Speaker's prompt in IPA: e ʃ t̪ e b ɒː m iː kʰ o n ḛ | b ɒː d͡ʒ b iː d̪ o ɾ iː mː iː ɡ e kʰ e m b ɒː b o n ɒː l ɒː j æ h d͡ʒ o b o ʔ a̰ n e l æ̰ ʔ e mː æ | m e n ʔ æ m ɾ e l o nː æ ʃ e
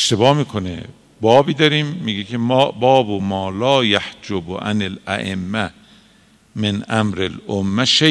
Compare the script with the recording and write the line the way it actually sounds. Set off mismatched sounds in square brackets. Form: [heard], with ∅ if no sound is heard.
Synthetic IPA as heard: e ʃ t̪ e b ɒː m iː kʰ o n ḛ | b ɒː [∅] b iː d̪ [ɒ] ɾ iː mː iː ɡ e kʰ e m b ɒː b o [m] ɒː l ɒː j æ h d͡ʒ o b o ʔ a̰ n e l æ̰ ʔ e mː æ | m e n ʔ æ m ɾ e l o [mː] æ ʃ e